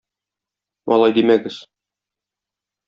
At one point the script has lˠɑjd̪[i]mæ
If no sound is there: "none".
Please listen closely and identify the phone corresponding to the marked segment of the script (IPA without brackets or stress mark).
i